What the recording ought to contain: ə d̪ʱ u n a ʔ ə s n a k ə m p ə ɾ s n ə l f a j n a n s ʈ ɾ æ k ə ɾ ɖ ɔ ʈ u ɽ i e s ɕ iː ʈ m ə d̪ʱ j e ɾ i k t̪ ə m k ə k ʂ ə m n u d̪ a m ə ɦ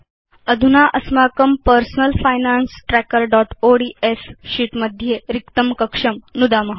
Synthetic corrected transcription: ə d̪ʱ u n a ʔ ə s m a k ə m p ə ɾ s n ə l f a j n a n s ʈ ɾ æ k ə ɾ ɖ ɔ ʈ o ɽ i e s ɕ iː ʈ m ə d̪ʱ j e ɾ i k t̪ ə m k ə k ʂ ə m n u d̪ a m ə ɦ